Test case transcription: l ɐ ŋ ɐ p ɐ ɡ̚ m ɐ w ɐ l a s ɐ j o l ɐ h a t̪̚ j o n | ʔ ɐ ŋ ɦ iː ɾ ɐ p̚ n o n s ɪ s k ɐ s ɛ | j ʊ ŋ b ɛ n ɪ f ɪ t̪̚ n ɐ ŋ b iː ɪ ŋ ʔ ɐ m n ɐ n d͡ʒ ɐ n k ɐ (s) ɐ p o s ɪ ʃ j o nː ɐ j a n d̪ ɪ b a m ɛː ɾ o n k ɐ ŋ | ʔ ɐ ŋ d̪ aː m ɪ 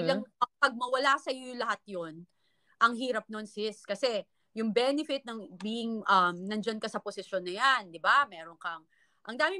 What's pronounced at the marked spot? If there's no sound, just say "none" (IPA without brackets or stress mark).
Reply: s